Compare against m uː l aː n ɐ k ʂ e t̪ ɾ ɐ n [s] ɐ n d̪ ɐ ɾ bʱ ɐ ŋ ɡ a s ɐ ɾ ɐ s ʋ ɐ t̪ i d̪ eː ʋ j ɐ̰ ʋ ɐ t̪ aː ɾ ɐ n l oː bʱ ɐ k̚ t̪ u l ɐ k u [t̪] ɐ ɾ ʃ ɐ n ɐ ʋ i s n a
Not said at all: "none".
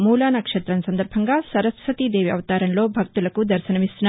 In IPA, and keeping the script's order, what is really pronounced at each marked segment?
s, d̪

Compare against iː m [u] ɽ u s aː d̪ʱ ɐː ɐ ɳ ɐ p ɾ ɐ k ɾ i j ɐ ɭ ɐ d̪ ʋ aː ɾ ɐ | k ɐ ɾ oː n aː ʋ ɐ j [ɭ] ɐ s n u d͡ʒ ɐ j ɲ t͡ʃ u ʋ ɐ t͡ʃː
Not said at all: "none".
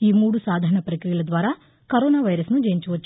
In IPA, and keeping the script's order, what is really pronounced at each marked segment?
uː, ɾ

